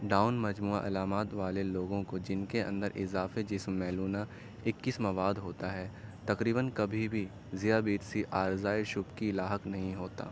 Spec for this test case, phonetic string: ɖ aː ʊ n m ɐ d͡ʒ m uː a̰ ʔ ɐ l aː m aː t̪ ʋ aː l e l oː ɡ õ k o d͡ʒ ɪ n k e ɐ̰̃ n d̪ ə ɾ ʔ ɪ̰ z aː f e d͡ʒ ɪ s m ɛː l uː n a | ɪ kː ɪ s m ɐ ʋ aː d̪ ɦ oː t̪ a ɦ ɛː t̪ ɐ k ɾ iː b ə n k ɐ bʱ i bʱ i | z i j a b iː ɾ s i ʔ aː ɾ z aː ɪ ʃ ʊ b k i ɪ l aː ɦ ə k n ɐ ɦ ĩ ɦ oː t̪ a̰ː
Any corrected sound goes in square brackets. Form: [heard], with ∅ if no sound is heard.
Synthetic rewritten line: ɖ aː ʊ n m ɐ d͡ʒ m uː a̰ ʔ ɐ l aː m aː t̪ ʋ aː l e l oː ɡ õ k o d͡ʒ ɪ n k e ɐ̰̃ n d̪ ə ɾ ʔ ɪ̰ z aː f e d͡ʒ ɪ s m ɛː l uː n a | ɪ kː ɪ s m ɐ ʋ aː d̪ ɦ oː t̪ a ɦ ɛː t̪ ɐ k ɾ iː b ə n k ɐ bʱ i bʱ i | z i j a b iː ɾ s i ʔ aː ɾ z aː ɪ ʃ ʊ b k i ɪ l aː ɦ ə k n ɐ ɦ ĩ ɦ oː t̪ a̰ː